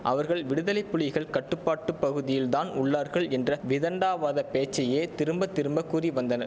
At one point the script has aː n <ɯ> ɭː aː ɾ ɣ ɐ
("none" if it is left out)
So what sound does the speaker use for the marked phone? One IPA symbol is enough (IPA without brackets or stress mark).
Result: ʊ